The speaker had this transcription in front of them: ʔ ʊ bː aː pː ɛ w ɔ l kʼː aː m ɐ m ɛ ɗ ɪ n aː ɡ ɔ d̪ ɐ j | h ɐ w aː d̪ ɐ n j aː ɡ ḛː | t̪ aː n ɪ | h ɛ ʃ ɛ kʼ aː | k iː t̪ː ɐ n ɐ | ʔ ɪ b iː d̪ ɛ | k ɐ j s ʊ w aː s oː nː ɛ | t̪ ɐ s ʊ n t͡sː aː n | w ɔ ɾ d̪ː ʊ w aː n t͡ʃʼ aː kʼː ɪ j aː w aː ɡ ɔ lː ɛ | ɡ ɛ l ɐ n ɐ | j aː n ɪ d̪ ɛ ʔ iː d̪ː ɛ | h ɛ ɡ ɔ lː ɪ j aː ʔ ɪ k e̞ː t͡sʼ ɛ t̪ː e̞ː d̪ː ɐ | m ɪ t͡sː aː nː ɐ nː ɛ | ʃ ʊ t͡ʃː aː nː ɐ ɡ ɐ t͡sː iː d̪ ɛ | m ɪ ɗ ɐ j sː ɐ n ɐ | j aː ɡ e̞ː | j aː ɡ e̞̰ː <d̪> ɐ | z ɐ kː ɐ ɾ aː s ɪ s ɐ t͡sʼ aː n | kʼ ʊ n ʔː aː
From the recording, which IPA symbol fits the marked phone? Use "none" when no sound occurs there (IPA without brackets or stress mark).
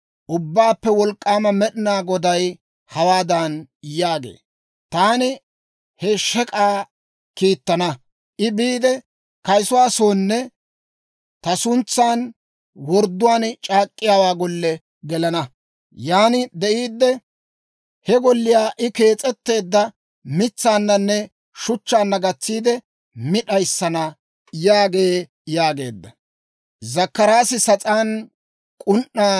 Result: d̪ː